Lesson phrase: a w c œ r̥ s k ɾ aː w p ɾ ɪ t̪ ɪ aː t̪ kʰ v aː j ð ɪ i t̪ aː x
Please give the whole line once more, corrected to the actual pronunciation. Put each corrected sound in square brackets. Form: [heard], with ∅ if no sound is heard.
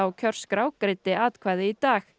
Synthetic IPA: a w [cʰ] œ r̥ s k ɾ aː w [k] ɾ ɪ t̪ ɪ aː t̪ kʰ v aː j ð ɪ i t̪ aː x